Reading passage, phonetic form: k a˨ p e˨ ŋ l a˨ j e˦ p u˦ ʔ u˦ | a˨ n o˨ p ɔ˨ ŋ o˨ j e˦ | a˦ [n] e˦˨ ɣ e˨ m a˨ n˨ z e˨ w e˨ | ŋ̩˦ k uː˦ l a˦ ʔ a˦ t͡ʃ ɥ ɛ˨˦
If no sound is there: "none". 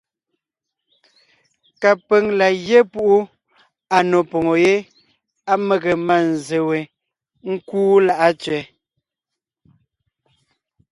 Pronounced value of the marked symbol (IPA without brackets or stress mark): m